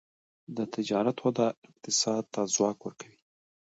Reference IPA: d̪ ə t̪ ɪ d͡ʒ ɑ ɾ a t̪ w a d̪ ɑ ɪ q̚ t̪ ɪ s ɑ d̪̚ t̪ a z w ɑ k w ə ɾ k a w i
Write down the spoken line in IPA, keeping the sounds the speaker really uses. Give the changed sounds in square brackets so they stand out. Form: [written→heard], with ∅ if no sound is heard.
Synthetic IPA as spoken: d̪ ə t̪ ɪ d͡ʒ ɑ ɾ a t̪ w a d̪ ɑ ɪ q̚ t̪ ɪ s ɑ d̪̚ t̪ a z w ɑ k w ə ɾ k a w i